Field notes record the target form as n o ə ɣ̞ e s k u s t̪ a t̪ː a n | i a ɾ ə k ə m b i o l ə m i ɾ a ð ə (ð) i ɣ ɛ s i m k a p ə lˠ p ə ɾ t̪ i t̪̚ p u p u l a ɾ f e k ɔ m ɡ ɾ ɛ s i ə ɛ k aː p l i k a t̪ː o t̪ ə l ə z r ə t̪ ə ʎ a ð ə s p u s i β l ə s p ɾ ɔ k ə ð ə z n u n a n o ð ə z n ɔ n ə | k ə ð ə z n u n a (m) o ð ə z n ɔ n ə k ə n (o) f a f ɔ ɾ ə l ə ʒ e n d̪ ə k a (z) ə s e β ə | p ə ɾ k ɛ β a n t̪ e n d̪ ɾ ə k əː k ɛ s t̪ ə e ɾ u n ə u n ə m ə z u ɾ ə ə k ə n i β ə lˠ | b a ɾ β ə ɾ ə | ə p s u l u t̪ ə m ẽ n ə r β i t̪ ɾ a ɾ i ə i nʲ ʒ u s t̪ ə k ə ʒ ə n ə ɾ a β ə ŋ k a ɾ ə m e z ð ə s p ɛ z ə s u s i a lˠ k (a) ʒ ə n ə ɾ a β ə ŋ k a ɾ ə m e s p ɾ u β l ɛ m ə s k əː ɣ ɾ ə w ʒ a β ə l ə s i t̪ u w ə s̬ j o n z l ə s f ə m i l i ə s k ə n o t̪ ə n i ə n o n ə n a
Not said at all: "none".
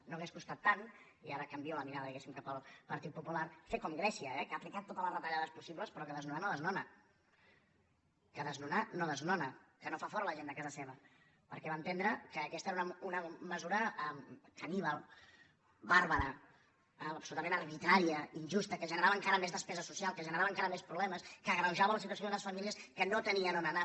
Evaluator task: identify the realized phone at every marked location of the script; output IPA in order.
ð, n, o, z, ə

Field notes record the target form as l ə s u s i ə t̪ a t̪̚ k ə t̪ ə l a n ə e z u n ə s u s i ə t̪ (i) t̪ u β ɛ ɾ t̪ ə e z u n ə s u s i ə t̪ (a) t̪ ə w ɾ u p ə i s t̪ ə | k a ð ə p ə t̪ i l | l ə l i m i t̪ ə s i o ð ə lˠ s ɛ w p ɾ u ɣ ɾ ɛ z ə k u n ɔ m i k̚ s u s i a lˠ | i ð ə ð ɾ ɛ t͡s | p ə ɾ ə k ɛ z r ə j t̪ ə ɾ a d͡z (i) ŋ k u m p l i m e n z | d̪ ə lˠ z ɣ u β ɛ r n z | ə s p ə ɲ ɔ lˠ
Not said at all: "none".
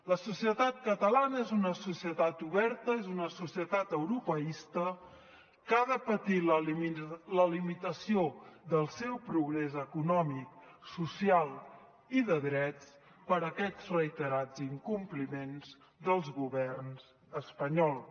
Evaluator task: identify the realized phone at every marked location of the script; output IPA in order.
a, a, i

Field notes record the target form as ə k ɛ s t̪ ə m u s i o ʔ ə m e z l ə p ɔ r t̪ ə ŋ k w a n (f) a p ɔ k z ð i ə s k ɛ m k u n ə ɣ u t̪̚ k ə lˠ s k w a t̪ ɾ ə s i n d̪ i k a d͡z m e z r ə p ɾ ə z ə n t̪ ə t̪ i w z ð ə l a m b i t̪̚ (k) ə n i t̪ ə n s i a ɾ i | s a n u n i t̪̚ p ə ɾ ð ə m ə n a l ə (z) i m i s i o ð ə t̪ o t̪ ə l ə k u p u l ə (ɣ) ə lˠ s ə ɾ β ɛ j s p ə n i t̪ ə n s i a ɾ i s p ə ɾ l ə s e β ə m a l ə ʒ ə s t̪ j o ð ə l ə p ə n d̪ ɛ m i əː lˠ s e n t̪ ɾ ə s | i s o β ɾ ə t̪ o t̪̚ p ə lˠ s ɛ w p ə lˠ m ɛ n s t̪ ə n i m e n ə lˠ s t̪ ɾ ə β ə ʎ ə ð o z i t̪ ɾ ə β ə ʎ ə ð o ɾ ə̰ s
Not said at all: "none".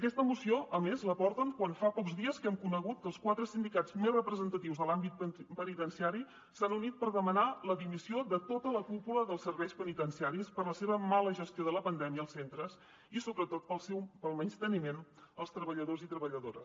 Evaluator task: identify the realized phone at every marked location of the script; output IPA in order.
f, p, ð, ð

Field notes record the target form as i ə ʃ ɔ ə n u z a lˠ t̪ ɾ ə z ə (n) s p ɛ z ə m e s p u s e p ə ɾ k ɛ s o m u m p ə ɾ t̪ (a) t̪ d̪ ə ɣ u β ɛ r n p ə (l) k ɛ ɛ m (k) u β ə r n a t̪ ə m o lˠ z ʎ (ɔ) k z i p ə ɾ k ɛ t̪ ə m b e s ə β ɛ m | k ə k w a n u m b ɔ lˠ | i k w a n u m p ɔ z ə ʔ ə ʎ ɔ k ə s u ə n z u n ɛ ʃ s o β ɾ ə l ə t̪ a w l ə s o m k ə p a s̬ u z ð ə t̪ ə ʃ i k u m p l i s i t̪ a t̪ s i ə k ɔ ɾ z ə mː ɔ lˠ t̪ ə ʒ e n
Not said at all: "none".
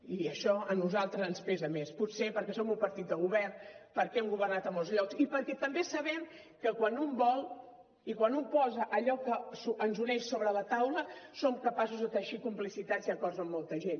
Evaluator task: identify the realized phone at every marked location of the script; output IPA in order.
n, i, ɾ, ɡ, ɔ

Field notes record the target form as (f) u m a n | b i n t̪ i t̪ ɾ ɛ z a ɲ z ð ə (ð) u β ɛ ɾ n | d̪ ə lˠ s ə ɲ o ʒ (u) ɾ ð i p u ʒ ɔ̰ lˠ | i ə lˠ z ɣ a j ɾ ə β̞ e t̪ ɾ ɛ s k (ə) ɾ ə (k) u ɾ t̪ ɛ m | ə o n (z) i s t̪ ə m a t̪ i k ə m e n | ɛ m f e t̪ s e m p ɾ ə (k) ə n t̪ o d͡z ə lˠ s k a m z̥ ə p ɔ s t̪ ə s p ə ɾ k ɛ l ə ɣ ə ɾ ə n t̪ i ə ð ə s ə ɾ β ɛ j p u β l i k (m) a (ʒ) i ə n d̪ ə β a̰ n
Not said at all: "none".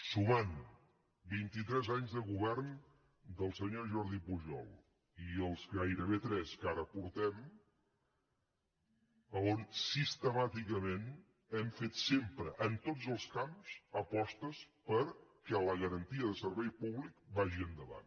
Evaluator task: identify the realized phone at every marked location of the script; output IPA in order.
s, ɣ, ɔ, a, p, s, ʔ, b, ʒ

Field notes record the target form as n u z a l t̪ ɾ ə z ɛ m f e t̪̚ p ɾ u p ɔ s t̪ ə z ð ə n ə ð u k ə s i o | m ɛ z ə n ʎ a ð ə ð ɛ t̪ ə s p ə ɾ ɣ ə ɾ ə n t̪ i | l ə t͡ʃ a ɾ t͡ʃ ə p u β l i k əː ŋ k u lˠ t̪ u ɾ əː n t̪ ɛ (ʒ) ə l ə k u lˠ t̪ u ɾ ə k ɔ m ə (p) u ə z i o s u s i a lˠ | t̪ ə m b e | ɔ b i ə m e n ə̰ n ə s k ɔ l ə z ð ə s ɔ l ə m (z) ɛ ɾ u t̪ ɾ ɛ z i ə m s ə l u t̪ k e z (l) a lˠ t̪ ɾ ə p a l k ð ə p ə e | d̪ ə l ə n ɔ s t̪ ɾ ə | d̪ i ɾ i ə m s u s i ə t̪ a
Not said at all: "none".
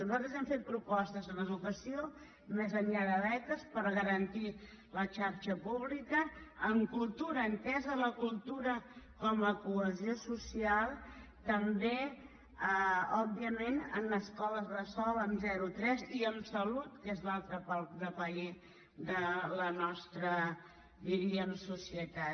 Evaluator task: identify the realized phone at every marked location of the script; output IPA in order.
z, k, z, l

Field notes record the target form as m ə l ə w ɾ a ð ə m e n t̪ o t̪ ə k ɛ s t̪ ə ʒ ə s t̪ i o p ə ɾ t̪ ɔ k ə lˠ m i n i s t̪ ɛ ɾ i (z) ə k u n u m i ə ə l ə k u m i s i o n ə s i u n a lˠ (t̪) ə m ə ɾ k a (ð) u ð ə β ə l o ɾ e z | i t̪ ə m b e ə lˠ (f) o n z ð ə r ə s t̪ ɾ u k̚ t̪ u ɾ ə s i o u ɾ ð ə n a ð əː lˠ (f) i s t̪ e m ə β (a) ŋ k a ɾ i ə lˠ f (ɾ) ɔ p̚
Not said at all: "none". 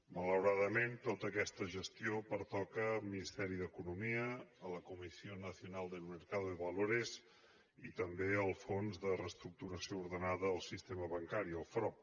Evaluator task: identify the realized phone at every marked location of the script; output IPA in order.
ð, d̪, ð, f, s, ə, ɾ

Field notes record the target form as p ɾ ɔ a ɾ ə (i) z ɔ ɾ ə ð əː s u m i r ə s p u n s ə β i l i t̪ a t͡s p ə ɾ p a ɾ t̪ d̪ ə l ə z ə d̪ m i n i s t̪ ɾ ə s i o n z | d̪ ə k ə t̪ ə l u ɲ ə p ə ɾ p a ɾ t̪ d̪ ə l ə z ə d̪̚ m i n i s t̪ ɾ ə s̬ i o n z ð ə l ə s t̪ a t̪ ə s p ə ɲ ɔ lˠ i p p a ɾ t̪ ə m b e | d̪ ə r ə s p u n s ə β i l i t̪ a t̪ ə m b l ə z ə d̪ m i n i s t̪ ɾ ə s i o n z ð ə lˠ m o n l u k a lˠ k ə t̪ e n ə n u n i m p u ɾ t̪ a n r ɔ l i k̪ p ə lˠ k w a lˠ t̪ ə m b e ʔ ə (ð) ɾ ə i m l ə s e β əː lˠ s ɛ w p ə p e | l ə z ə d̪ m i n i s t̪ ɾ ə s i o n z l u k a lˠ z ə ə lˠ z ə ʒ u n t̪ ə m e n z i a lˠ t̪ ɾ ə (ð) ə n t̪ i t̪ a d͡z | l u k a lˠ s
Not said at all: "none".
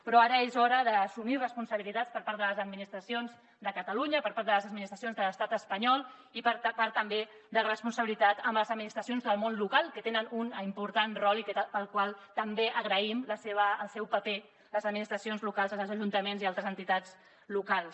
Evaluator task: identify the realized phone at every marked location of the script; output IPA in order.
e, ɣ, z

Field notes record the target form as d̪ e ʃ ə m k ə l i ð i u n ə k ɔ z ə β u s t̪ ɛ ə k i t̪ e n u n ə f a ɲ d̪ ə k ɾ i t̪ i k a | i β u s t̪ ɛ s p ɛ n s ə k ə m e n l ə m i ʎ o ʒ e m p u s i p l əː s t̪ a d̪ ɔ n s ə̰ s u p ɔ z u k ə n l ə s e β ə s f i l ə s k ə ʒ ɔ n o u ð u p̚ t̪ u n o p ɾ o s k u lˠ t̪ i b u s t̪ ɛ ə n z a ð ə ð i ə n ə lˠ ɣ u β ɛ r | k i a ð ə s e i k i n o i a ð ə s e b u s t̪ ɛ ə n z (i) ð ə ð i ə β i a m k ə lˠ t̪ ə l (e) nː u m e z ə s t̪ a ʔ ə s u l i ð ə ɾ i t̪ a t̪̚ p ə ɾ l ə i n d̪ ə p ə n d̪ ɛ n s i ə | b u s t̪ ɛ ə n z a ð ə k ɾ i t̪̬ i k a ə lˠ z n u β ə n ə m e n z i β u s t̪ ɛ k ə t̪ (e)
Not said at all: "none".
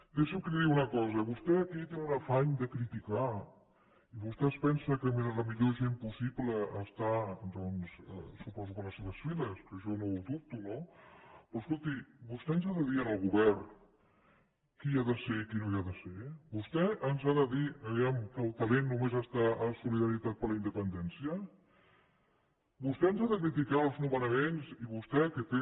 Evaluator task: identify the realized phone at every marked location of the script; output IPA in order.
a, e, e

